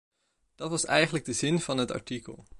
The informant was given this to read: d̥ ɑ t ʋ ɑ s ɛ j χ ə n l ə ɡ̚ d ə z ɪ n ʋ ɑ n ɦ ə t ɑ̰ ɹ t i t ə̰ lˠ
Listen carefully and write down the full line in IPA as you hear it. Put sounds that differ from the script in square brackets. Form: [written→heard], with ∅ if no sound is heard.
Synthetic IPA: d̥ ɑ t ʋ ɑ s ɛ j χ ə n l ə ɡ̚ d ə z ɪ n [ʋ→v] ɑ n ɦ ə t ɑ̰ ɹ t i [t→k] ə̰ lˠ